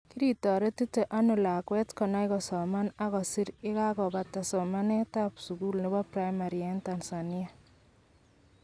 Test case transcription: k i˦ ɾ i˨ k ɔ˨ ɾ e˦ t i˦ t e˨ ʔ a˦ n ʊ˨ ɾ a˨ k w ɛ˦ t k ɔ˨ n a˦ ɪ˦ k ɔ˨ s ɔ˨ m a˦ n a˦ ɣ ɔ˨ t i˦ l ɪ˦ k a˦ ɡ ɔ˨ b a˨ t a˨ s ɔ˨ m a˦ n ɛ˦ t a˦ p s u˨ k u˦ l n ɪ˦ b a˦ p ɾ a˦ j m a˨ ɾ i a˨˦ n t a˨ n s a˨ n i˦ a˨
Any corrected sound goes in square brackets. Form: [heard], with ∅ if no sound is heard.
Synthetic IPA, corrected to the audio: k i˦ ɾ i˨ [t] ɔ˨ ɾ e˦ t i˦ t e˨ ʔ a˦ n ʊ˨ [l] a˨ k w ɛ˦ t k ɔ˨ n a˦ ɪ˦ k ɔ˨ s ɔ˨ m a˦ n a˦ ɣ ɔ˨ [s] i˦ [ɾ] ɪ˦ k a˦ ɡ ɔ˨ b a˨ t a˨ s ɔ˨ m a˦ n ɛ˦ t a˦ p s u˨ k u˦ l n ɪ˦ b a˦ p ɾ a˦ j m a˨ ɾ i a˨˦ n t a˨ n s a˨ n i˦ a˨